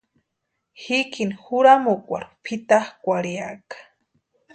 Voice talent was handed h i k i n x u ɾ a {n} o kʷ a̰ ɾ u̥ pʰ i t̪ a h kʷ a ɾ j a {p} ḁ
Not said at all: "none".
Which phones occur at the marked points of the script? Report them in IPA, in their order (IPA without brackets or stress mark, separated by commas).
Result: m, k